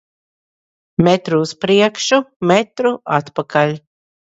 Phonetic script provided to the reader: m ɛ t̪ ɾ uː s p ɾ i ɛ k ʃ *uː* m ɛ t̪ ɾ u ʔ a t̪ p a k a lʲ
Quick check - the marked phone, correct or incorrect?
incorrect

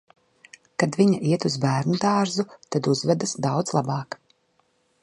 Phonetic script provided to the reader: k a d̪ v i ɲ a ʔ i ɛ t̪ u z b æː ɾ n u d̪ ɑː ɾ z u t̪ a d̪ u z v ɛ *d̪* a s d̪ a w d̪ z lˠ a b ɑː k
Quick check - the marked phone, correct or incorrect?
correct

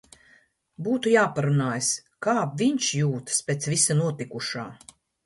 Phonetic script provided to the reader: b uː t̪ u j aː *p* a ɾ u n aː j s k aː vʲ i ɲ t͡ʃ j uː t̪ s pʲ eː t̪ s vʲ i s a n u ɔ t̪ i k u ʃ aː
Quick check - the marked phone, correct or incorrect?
correct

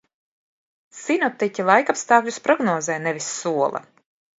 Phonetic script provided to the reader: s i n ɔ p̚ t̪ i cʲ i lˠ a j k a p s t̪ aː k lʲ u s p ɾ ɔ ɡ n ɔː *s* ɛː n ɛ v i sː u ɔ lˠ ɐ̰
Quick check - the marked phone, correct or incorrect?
incorrect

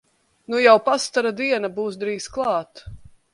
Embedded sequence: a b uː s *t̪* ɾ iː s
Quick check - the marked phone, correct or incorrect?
incorrect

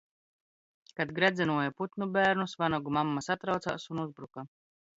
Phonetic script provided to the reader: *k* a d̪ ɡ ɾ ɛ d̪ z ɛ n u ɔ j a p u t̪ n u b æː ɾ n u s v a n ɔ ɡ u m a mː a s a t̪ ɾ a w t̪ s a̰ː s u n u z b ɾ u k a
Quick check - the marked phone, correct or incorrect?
correct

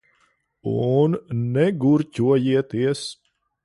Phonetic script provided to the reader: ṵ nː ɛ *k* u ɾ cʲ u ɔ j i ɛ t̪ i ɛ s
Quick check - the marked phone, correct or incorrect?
incorrect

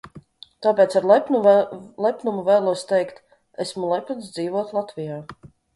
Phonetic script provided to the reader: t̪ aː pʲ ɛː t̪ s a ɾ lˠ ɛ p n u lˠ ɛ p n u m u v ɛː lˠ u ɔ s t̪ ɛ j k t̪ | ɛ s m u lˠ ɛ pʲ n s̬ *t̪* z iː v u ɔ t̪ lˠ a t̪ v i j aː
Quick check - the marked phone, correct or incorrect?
incorrect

